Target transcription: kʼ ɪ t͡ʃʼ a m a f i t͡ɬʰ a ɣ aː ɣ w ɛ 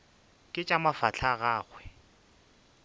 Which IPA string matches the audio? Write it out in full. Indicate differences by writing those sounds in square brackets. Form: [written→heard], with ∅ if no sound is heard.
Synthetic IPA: kʼ ɪ t͡ʃʼ a m a f [i→a] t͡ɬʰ a ɣ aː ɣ w ɛ